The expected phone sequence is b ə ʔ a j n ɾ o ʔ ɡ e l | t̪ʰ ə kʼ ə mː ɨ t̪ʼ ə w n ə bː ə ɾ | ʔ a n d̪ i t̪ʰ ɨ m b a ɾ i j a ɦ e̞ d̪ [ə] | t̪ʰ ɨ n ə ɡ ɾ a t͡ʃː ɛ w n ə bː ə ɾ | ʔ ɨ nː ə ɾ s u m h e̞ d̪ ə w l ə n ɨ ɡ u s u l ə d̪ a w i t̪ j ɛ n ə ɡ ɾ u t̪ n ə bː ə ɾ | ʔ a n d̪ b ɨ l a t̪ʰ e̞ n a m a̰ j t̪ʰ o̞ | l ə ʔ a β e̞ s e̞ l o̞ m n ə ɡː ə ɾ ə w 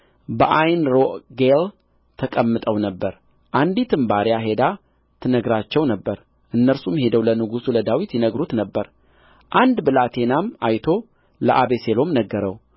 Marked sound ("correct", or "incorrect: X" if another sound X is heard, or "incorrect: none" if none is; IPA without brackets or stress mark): incorrect: a